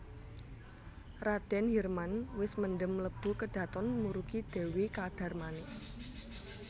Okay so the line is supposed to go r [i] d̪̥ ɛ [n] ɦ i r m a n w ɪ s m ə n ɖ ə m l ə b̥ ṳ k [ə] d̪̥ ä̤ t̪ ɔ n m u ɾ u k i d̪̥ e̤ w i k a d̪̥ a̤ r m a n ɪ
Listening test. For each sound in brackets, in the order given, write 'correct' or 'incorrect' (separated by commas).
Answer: incorrect, correct, correct